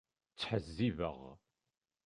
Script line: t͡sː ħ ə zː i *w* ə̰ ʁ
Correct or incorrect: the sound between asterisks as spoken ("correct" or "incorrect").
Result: incorrect